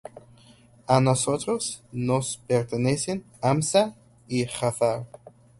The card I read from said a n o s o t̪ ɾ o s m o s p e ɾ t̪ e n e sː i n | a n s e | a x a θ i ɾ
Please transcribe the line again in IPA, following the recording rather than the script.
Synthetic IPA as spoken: a n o s o t̪ ɾ o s n o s p e ɾ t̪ e n e s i n | a m s a | i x a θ a ɾ